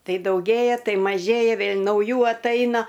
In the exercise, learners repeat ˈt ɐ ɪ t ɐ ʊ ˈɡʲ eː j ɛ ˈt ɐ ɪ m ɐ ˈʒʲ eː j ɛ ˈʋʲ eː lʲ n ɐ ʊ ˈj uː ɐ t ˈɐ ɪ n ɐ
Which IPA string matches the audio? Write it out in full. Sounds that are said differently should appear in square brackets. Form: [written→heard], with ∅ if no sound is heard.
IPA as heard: ˈt ɐ ɪ [t→d] ɐ ʊ ˈɡʲ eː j ɛ ˈt ɐ ɪ m ɐ ˈʒʲ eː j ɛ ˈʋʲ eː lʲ n ɐ ʊ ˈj uː ɐ t ˈɐ ɪ n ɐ